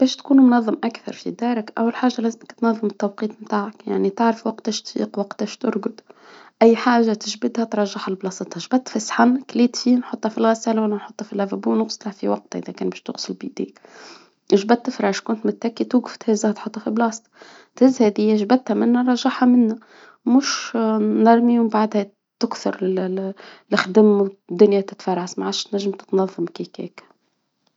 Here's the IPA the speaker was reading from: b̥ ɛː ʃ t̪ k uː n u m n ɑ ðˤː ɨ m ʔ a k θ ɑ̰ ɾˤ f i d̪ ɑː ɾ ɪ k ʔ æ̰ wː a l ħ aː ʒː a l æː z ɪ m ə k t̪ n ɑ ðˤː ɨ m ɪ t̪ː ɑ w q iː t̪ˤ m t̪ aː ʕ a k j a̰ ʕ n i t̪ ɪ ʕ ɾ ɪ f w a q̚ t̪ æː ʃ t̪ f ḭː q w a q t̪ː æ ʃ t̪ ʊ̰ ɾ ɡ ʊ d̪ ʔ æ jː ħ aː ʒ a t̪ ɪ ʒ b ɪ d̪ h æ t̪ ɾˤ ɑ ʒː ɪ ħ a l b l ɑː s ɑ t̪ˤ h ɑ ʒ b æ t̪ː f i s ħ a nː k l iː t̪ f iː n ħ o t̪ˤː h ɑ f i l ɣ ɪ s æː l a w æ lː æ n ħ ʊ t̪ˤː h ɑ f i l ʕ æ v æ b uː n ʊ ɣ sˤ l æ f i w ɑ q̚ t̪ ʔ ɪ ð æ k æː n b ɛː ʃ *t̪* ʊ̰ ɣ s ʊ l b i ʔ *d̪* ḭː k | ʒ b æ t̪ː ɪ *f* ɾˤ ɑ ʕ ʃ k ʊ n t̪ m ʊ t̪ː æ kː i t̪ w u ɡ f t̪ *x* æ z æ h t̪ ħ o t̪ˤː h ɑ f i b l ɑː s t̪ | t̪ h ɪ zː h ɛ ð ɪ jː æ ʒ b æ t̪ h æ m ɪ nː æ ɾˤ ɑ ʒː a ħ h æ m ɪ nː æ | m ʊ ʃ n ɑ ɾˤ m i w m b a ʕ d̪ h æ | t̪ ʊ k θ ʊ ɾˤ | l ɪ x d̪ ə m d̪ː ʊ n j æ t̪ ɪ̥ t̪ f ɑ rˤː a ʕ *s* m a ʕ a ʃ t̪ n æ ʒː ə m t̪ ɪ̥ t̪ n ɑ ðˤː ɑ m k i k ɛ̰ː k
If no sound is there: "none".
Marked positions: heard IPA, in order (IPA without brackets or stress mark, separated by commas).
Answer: t̪, d̪, f, h, s